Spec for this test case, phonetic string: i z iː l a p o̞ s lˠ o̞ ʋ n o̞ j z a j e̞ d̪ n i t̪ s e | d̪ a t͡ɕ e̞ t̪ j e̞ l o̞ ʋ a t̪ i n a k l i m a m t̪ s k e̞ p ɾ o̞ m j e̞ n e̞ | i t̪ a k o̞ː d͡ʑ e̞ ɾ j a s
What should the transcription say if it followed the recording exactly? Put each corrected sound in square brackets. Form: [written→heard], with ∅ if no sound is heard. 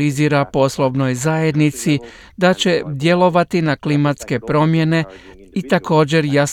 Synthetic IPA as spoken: i z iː [l→ɾ] a p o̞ s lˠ o̞ ʋ n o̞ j z a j e̞ d̪ n i t̪ s [e→i] | d̪ a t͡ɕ e̞ [t̪→d̪] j e̞ l o̞ ʋ a t̪ i n a k l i m a [m→∅] t̪ s k e̞ p ɾ o̞ m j e̞ n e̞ | i t̪ a k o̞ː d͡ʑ e̞ ɾ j a s